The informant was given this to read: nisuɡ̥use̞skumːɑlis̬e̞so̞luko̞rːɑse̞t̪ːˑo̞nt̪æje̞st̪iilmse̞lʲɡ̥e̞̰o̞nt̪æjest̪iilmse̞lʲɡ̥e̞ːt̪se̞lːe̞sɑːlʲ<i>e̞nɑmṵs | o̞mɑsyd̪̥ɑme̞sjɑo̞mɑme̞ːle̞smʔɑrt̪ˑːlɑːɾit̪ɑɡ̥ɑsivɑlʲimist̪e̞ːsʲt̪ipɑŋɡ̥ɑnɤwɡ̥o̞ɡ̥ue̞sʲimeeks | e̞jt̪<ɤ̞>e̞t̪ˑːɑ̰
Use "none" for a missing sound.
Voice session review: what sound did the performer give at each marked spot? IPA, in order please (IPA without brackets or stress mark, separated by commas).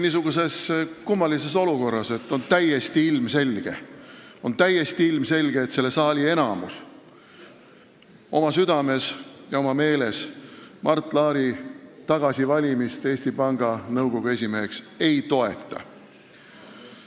i, o̞